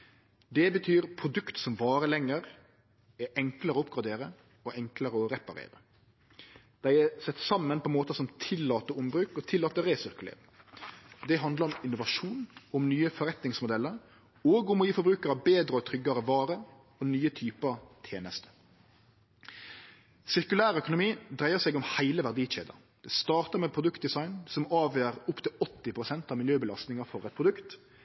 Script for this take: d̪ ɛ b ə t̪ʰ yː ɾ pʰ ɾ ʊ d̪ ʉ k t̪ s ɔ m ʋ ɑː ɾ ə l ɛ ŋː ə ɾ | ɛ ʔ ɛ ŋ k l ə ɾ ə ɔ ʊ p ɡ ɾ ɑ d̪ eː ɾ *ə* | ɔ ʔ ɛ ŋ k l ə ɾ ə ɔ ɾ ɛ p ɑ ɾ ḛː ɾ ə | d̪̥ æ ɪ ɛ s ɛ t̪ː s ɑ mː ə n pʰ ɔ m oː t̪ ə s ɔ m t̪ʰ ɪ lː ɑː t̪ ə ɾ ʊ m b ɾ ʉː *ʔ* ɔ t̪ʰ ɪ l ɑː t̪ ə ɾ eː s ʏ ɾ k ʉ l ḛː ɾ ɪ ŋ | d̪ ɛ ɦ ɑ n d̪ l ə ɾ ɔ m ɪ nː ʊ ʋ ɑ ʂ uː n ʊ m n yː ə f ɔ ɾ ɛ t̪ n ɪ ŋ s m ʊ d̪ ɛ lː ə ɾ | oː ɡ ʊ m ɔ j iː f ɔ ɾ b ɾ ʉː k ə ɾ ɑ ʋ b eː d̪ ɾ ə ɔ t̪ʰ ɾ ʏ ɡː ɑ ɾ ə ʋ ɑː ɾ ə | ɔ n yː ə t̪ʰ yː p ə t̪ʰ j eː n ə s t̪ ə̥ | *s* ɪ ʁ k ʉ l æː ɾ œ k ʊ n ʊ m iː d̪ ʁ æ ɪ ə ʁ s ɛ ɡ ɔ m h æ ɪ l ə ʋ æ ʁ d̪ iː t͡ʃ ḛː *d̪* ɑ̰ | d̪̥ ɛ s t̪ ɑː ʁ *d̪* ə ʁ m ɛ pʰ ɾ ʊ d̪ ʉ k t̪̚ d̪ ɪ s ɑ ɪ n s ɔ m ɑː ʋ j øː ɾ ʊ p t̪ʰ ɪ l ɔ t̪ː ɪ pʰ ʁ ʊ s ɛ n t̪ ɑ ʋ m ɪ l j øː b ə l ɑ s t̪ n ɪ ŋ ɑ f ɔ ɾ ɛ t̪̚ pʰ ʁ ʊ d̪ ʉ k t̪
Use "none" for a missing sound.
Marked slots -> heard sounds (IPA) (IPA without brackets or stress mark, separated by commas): ə, k, s, d̪, t̪